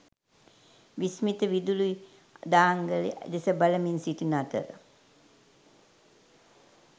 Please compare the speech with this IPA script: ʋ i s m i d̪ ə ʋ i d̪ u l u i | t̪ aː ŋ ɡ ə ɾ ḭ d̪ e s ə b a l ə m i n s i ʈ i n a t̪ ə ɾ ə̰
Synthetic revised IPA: ʋ i s m i t̪ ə ʋ i d̪ u l u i | d̪ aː ŋ ɡ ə l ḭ d̪ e s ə b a l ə m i n s i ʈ i n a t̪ ə ɾ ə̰